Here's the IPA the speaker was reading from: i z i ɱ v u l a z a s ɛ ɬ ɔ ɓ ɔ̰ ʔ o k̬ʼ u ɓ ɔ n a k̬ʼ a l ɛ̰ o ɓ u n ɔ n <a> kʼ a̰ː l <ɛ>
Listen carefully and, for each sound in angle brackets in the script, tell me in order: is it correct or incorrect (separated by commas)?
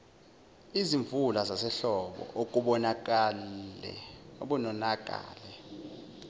correct, correct